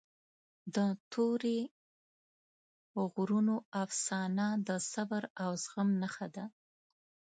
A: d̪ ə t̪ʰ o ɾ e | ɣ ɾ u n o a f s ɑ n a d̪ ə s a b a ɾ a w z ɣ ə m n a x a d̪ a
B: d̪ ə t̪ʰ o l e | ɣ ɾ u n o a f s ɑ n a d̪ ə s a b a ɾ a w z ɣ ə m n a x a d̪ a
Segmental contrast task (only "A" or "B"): A